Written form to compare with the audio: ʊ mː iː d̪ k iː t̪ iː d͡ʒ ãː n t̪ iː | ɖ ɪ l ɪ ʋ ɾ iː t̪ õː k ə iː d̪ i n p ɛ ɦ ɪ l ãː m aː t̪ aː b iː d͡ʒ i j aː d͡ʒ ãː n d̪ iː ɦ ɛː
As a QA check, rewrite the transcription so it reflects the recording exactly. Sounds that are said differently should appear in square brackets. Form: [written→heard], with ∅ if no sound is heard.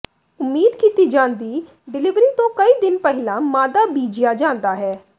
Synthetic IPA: ʊ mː iː d̪ k iː t̪ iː d͡ʒ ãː n [t̪→d̪] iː | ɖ ɪ l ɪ ʋ ɾ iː t̪ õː k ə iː d̪ [i→ɪ] n p ɛ ɦ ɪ l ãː m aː [t̪→d̪] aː b iː d͡ʒ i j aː d͡ʒ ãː n d̪ [iː→aː] ɦ ɛː